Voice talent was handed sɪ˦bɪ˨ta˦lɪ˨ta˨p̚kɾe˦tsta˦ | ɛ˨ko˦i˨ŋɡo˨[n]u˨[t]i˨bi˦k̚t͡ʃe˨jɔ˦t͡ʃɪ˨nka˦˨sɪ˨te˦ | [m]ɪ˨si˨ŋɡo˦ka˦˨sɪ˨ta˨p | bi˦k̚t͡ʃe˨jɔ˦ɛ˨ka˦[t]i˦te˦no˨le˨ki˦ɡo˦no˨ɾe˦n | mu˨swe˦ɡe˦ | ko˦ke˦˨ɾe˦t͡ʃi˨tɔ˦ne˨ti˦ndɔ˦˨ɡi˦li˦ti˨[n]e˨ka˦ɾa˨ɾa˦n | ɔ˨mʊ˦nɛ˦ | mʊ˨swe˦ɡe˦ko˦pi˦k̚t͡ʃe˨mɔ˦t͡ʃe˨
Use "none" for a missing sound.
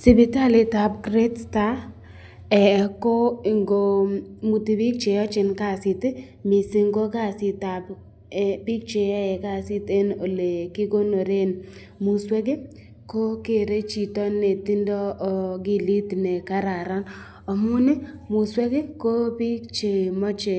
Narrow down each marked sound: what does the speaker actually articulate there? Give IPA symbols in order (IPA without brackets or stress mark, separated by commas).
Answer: m, t, m, s, n